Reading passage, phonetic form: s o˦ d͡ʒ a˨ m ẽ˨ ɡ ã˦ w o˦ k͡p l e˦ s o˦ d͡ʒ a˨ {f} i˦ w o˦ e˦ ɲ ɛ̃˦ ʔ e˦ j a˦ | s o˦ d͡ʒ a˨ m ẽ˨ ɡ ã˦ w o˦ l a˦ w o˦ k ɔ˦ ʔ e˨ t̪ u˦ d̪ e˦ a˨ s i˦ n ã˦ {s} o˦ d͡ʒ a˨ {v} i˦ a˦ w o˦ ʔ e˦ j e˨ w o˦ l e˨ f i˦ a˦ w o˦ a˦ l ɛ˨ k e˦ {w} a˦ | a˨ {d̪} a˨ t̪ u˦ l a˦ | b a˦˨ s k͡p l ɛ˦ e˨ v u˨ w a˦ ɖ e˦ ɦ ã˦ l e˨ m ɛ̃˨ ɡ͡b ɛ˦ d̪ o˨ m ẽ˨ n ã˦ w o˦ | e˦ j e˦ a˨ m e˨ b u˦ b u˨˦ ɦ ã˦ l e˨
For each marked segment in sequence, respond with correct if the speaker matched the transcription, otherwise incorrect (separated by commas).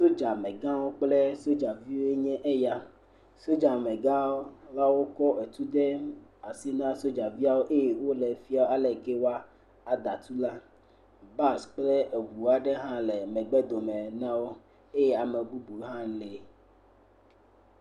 incorrect, correct, correct, correct, correct